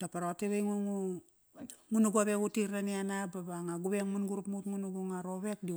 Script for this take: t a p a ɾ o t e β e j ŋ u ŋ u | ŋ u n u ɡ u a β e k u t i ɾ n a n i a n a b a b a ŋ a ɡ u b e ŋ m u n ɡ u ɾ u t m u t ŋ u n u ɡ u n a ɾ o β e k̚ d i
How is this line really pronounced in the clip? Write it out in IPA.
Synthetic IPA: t a p a ɾ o t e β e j ŋ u ŋ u | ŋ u n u ɡ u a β e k u t i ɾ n a n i a n a b a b a ŋ a ɡ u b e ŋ m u n ɡ u ɾ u p m u t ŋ u n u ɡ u ŋ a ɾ o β e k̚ d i